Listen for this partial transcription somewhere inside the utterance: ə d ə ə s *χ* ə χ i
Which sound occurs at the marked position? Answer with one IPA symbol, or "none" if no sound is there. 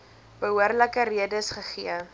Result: χ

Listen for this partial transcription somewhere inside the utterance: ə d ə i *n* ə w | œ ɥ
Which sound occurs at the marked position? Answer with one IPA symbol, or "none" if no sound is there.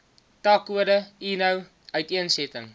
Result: n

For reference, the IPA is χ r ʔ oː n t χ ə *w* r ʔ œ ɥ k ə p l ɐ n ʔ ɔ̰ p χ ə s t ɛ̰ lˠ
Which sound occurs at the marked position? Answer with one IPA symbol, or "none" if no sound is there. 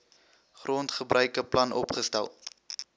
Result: b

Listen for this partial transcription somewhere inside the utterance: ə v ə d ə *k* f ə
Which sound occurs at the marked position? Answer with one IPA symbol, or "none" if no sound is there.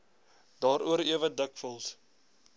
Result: k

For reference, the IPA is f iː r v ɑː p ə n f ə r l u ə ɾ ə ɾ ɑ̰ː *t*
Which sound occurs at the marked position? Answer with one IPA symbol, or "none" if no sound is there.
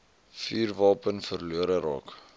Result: k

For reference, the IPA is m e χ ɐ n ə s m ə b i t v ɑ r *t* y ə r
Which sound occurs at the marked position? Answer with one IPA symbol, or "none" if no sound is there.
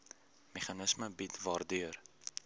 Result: d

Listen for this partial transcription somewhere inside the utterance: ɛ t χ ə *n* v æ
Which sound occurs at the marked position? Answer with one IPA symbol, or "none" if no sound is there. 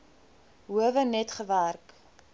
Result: none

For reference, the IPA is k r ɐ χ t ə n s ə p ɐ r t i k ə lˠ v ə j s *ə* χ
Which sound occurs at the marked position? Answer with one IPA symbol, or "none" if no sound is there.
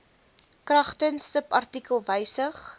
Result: ə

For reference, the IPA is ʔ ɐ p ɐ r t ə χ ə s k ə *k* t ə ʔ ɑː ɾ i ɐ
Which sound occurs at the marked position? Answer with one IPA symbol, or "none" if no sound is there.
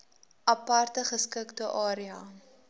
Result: k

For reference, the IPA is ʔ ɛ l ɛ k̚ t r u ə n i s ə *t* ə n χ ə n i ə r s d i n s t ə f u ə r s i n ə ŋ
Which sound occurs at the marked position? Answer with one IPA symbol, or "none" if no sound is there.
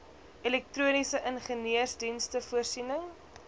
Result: ʔ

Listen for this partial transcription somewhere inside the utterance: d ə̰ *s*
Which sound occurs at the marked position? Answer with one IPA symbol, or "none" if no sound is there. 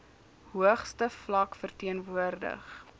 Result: χ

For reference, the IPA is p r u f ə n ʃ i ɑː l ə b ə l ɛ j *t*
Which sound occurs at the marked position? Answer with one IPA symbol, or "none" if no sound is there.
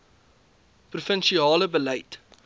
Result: t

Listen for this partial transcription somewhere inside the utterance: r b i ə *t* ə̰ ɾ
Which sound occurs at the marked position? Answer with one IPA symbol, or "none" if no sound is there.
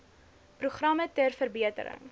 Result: t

